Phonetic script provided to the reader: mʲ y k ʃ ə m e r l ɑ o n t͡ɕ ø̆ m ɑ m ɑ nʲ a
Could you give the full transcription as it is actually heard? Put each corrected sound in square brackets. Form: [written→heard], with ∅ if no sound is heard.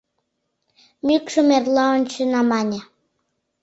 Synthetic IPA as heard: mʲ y k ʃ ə m e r l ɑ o n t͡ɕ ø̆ [m→n] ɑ m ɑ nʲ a